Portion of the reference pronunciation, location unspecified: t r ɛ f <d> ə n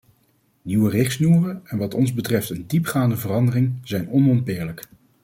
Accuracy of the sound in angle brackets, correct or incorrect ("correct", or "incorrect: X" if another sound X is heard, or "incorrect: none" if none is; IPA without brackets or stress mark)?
incorrect: t